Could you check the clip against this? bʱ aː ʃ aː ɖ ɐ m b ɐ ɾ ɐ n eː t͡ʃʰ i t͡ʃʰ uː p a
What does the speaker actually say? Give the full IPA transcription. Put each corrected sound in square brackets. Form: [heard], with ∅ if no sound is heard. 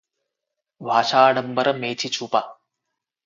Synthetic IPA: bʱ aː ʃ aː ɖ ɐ m b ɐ ɾ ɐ [m] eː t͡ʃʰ i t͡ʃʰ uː p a